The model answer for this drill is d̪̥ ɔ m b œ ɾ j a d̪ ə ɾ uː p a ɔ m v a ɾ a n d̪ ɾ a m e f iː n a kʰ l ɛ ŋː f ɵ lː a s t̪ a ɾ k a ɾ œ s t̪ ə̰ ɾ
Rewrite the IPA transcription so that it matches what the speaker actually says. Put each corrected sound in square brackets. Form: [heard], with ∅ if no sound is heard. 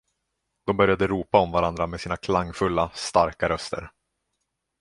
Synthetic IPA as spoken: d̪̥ ɔ m b œ ɾ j a d̪ ə ɾ uː p a ɔ m v a ɾ a n d̪ ɾ a m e [s] iː n a kʰ l [a] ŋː f ɵ lː a s t̪ a ɾ k a ɾ œ s t̪ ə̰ ɾ